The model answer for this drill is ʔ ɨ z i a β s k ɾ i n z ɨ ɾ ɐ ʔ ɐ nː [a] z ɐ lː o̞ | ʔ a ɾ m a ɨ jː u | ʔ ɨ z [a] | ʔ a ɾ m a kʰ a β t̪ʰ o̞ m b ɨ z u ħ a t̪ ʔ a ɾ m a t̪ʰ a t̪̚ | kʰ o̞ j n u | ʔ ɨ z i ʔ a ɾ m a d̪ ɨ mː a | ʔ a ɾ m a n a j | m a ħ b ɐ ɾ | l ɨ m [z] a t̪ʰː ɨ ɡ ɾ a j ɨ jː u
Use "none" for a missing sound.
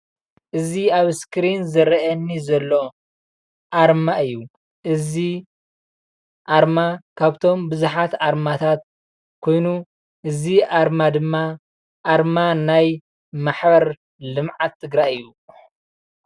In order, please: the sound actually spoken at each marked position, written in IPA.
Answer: i, i, ʕ

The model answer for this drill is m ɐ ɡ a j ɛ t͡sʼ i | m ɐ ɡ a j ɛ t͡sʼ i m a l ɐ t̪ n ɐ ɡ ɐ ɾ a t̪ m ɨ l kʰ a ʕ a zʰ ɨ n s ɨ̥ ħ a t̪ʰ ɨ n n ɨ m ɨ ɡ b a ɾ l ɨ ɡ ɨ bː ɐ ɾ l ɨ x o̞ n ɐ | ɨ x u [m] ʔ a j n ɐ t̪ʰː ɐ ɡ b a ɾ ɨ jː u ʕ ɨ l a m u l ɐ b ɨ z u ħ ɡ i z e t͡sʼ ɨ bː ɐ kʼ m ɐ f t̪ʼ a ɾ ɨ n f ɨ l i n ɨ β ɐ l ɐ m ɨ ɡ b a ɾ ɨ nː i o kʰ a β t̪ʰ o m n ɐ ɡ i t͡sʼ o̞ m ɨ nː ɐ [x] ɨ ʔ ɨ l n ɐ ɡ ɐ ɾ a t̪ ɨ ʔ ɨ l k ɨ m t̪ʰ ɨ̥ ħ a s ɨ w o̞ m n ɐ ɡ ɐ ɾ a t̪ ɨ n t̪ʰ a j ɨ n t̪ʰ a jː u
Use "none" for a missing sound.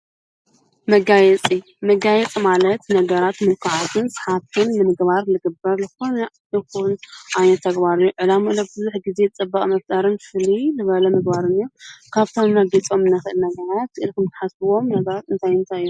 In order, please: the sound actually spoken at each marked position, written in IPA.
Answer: n, x

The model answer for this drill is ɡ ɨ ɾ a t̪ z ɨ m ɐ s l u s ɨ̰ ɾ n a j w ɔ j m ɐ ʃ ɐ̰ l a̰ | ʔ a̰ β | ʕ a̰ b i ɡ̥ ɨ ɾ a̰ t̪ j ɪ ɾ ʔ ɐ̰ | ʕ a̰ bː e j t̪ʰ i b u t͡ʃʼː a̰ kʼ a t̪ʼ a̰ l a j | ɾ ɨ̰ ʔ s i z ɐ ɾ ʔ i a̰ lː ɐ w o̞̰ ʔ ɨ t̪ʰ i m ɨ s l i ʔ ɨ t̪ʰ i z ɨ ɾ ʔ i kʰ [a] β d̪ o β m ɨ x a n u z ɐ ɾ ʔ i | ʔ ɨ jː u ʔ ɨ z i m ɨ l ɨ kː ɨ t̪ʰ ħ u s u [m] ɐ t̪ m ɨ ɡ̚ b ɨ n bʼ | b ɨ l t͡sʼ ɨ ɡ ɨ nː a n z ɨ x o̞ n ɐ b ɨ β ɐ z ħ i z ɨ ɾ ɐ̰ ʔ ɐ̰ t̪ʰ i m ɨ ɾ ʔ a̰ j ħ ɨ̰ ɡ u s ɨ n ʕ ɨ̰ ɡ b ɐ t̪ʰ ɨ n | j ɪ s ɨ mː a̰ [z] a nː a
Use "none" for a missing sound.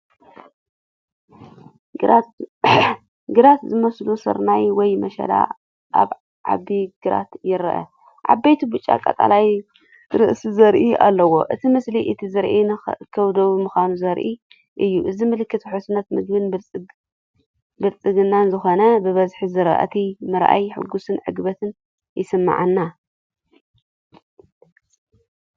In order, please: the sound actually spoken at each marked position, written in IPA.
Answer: ɐ, n, ʕ

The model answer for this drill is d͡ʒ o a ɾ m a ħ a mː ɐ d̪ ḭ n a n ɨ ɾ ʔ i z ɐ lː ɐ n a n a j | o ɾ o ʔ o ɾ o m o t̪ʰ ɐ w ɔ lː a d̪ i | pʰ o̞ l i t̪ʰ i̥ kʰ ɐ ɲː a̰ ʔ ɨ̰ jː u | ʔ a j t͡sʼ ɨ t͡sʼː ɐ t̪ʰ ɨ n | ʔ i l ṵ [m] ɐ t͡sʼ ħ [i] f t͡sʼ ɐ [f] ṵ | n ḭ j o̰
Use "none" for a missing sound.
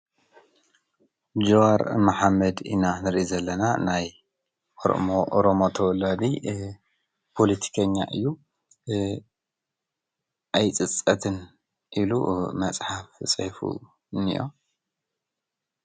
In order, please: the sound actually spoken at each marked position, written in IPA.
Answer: m, a, f

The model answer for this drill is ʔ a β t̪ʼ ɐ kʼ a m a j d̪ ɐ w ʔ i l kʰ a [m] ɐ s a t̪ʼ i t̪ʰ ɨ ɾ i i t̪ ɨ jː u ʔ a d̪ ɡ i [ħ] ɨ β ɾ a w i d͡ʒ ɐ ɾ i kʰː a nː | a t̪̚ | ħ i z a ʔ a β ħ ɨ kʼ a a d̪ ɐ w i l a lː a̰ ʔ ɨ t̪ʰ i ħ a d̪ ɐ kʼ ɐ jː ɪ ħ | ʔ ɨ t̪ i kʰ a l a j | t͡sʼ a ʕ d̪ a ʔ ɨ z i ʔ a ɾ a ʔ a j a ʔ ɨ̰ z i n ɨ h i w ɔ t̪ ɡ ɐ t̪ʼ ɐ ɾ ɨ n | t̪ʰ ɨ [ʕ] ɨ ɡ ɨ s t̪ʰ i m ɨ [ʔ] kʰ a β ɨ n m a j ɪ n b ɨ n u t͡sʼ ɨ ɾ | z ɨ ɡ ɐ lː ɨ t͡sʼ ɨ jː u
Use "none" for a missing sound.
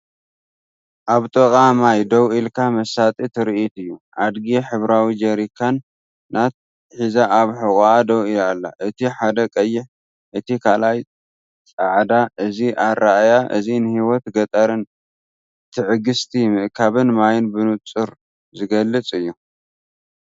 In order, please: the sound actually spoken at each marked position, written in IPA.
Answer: m, ħ, ʕ, ʔ

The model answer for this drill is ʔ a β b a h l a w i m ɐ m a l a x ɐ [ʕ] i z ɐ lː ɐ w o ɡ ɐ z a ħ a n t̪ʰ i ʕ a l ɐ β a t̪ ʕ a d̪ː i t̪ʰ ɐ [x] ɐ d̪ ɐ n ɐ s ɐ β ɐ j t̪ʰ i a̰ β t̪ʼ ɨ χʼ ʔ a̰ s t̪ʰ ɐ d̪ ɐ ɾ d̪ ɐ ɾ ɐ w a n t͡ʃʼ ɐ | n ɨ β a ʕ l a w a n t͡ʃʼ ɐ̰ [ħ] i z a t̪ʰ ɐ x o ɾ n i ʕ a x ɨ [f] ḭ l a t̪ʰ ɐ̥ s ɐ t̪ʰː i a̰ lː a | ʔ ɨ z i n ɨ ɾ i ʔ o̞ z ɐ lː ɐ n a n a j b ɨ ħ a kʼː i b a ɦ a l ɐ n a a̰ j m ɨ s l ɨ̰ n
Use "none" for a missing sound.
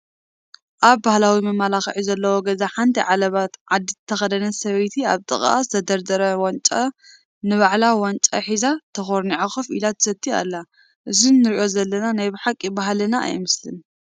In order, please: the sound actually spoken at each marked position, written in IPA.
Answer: ʕ, x, ħ, f

